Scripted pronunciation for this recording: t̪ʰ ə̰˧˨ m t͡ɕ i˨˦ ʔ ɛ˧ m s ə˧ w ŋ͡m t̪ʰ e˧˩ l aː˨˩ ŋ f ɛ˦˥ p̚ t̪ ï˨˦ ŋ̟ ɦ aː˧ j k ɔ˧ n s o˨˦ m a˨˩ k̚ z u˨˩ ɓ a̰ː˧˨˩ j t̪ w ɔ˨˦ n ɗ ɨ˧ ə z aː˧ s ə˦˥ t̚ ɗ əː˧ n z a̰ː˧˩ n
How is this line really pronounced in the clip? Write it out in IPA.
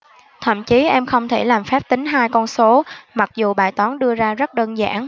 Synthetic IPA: t̪ʰ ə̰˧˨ m t͡ɕ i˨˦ ʔ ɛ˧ m x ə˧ w ŋ͡m t̪ʰ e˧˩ l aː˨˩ m f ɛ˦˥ p̚ t̪ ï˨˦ ŋ̟ ɦ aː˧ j k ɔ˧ n s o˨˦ m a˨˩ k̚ z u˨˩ ɓ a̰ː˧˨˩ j t̪ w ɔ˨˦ n ɗ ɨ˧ ə z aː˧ z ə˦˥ t̚ ɗ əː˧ n z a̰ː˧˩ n